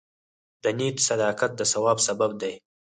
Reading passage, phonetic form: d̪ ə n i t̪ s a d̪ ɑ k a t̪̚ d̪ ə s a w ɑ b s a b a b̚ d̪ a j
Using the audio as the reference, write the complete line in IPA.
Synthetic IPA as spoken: d̪ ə n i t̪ s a d̪ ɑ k a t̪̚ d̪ ə s a w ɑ b s a b a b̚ d̪ a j